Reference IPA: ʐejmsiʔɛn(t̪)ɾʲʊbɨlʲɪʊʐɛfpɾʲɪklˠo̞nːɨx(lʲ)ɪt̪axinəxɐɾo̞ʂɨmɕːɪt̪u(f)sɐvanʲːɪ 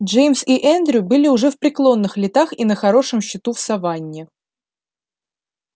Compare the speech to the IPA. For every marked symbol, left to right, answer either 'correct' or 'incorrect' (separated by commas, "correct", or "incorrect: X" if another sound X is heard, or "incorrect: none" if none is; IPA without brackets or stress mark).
incorrect: d̪, correct, correct